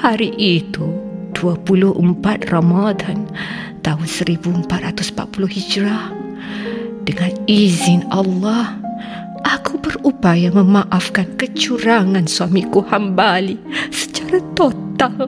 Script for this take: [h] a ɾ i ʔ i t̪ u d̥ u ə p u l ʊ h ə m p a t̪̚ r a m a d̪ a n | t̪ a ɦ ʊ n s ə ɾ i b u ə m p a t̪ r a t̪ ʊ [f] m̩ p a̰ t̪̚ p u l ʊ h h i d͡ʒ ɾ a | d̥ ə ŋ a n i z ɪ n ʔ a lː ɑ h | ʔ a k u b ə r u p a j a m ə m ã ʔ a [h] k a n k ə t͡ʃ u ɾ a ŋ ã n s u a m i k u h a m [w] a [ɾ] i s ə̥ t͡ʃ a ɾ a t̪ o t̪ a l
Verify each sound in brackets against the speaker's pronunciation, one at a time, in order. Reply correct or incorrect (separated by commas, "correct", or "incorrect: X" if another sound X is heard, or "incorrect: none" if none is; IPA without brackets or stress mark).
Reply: correct, incorrect: s, incorrect: f, incorrect: b, incorrect: l